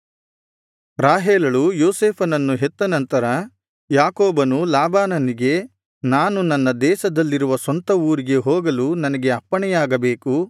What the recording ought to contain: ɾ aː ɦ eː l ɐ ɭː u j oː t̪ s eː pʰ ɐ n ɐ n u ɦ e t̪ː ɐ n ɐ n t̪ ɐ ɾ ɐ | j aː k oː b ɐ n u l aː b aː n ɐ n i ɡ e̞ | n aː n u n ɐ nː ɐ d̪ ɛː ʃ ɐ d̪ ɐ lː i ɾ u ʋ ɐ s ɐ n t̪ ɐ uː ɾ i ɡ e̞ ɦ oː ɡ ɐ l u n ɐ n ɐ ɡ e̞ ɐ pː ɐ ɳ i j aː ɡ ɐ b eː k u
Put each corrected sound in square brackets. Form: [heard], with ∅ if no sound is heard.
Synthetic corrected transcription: ɾ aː ɦ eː l ɐ [ɭ] u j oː [∅] s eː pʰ ɐ n ɐ [nː] u ɦ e t̪ː ɐ n ɐ n t̪ ɐ ɾ ɐ | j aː k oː b ɐ n u l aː b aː n ɐ n i ɡ e̞ | n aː n u n ɐ nː ɐ d̪ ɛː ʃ ɐ d̪ ɐ lː i ɾ u ʋ ɐ s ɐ n t̪ ɐ uː ɾ i ɡ e̞ ɦ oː ɡ ɐ l u n ɐ n ɐ ɡ e̞ ɐ pː ɐ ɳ [ɛ] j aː ɡ ɐ b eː k u